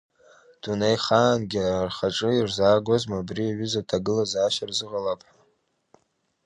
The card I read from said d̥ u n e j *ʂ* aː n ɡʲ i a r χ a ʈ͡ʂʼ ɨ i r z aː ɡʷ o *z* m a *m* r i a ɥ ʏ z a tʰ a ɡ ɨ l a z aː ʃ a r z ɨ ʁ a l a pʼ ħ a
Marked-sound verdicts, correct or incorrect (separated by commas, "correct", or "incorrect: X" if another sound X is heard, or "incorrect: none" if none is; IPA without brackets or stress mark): incorrect: χ, correct, incorrect: b